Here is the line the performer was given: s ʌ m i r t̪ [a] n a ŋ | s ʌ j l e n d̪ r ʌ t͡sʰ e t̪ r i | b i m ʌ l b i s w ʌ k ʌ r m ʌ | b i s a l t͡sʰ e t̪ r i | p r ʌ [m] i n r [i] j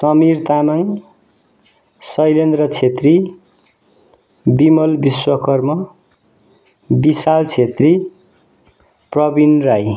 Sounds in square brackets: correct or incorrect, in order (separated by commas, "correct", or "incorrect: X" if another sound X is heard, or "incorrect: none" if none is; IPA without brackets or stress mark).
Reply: correct, incorrect: b, incorrect: a